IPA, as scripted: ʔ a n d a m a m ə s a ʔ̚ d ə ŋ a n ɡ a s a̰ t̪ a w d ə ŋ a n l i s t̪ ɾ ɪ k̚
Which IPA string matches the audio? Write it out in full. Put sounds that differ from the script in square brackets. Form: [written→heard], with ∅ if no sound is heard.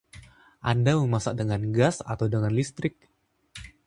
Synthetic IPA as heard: ʔ a n d a m [a→ə] m [ə→a] s a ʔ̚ d ə ŋ a n ɡ a s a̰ t̪ a w d ə ŋ a n l i s t̪ ɾ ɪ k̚

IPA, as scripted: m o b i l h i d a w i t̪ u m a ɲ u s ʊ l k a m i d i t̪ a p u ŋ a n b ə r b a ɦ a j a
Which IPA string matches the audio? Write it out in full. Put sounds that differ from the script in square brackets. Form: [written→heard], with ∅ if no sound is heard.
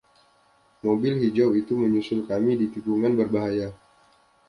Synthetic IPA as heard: m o b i l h i [d→d͡ʒ] a w i t̪ u m [a→ə] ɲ u s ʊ l k a m i d i t̪ [a→i] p u ŋ a n b ə r b a ɦ a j a

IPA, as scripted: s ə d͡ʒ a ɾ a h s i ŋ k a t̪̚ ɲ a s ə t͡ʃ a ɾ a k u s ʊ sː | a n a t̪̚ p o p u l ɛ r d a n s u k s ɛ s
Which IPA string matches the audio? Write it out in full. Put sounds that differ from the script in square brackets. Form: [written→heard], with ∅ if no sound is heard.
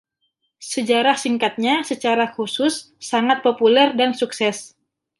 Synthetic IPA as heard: s ə d͡ʒ a ɾ a h s i ŋ k a t̪̚ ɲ a s ə t͡ʃ a ɾ a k u s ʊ sː | a [n→ŋ] a t̪̚ p o p u l ɛ r d a n s u k s ɛ s

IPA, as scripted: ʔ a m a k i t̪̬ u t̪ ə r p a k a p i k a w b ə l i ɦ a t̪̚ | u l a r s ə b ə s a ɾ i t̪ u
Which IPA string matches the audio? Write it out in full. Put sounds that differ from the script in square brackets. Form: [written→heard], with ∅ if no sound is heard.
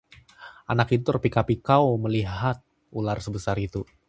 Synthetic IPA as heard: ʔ a [m→n] a k i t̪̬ u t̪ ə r p [a→i] k a p i k a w [b→m] ə l i ɦ a t̪̚ | u l a r s ə b ə s a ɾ i t̪ u

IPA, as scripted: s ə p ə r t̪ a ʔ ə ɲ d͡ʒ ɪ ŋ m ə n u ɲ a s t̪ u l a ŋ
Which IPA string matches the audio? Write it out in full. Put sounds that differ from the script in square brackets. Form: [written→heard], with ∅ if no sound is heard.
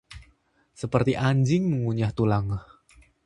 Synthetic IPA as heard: s ə p ə r t̪ [a→i] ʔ [ə→a] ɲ d͡ʒ ɪ ŋ m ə [n→ŋ] u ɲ a [s→h] t̪ u l a ŋ

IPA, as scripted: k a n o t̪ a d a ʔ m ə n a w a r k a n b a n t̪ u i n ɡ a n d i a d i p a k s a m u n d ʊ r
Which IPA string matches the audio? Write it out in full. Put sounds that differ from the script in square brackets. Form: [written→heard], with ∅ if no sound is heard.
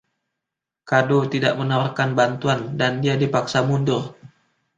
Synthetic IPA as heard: k a [n→d] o t̪ [a→i] d a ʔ m ə n a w a r k a n b a n t̪ u [i→a] n [ɡ→d] a n d i a d i p a k s a m u n d ʊ r

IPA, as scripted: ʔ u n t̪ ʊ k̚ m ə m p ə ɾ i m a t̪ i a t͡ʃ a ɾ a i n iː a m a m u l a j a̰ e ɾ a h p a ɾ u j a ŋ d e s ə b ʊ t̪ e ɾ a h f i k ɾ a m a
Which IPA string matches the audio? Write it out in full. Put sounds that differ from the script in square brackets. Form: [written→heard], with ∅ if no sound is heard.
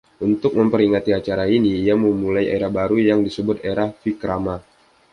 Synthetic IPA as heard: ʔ u n t̪ ʊ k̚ m ə m p ə ɾ i [m→ŋ] a t̪ i a t͡ʃ a ɾ a i n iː a m [a→ə] m u l a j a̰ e ɾ a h [p→b] a ɾ u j a ŋ d [e→i] s ə b ʊ t̪ e ɾ a h f i k ɾ a m a

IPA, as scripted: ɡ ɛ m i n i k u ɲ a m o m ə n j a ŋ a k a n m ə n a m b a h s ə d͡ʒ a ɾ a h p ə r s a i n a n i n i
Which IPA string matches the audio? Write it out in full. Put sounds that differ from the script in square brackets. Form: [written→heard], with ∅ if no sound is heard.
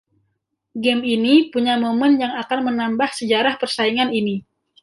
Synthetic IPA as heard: ɡ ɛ m i n i [k→p] u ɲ a m o m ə n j a ŋ a k a n m ə n a m b a h s ə d͡ʒ a ɾ a h p ə r s a i [n→ŋ] a n i n i

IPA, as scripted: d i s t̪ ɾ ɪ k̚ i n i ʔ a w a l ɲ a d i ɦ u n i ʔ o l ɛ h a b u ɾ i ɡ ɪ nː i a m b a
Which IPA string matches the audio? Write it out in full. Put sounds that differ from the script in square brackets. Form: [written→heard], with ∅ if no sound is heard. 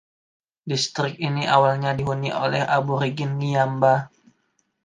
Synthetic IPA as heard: d i s t̪ ɾ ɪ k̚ i n i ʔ a w a l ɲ a d i ɦ u n i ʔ o l ɛ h a b u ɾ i ɡ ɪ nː i a m b a

